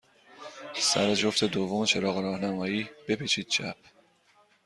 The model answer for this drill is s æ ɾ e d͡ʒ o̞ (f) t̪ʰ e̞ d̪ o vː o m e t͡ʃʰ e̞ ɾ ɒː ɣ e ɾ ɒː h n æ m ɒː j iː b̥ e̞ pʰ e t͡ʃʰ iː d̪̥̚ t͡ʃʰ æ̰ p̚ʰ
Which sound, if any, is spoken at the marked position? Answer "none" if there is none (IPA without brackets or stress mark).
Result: f